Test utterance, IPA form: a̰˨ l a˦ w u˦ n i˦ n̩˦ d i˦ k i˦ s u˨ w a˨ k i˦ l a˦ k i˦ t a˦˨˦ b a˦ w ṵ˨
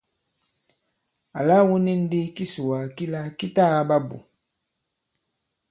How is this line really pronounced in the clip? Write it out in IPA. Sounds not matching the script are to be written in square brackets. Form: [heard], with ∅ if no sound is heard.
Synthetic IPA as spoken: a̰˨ l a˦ w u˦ n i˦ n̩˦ d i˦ k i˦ s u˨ w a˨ k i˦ l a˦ k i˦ t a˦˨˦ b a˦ [b] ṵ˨